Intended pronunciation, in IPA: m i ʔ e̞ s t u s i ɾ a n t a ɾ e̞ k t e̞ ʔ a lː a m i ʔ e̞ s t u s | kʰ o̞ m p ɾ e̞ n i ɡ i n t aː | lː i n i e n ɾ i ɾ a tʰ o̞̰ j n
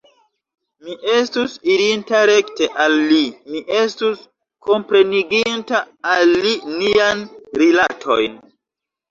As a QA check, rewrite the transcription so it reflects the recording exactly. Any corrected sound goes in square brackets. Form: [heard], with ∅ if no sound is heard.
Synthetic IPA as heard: m i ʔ e̞ s t u s i ɾ [i] n t a ɾ e̞ k t e̞ ʔ a lː [i] m i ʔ e̞ s t u s | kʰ o̞ m p ɾ e̞ n i ɡ i n t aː | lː i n i [a] n ɾ i [l] a tʰ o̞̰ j n